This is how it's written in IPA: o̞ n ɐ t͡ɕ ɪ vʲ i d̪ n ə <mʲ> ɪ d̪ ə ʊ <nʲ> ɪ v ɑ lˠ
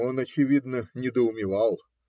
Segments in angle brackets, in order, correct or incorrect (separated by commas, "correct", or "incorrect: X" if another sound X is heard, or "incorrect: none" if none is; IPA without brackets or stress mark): incorrect: nʲ, incorrect: mʲ